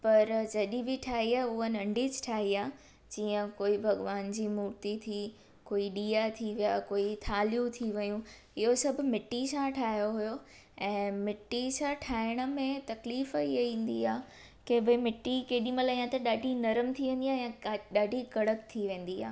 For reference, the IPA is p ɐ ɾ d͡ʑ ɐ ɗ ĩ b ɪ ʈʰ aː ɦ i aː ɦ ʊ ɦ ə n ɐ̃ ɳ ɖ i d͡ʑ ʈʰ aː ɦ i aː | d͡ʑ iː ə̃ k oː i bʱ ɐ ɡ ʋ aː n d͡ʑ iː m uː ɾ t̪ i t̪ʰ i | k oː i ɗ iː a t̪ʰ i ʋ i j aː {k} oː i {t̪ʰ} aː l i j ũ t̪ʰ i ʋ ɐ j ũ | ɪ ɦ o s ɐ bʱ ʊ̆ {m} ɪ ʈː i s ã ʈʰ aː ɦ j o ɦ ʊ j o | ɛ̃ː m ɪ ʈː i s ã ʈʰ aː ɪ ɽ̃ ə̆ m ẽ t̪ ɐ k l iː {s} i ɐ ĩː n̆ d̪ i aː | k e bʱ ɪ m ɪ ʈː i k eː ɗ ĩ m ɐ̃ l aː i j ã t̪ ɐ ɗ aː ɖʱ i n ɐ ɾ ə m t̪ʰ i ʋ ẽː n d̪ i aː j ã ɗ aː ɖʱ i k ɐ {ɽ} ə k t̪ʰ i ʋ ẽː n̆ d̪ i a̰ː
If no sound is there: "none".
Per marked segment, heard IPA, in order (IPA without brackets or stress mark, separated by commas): k, t̪ʰ, m, f, ɽ